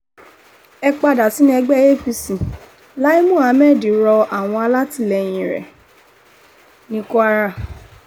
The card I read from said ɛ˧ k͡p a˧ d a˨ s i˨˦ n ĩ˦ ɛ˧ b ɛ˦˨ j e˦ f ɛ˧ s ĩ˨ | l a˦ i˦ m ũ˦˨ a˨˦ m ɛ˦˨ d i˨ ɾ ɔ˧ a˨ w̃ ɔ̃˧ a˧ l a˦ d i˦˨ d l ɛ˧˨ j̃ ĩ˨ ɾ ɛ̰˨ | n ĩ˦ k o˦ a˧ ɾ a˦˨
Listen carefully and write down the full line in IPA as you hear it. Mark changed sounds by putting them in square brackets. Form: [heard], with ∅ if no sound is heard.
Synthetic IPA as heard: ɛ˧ k͡p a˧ d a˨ s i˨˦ n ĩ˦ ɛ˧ [ɡ͡b] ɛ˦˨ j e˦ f [i˧] s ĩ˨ | l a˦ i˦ m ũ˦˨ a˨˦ m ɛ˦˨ d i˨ ɾ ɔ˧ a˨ w̃ ɔ̃˧ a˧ l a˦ [t] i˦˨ [∅] l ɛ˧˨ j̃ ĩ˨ ɾ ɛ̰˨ | n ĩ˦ k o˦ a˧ ɾ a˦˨